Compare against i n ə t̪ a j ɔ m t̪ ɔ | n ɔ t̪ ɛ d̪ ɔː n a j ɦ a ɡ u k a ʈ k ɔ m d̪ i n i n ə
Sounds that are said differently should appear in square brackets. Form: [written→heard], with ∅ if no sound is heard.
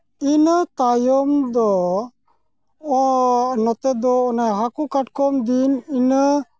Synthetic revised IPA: i n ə t̪ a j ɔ m [t̪→d̪] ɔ | n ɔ t̪ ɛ d̪ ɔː n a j ɦ a [ɡ→k] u k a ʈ k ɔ m d̪ i n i n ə